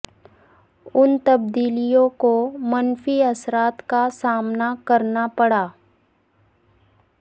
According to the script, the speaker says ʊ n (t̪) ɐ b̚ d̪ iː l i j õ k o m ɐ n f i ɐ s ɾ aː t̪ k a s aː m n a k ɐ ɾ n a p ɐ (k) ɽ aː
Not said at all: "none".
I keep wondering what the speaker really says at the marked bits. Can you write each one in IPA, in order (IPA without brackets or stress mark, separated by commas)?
t̪, none